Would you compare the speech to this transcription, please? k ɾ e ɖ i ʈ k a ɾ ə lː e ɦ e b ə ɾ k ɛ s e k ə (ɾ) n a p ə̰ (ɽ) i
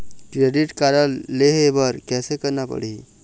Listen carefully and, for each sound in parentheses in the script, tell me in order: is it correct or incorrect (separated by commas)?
correct, correct